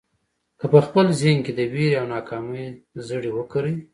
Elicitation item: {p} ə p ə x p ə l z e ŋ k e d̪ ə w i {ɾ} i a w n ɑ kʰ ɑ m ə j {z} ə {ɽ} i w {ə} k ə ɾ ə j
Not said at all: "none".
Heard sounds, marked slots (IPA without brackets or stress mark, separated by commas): k, ɾ, z, ɽ, ə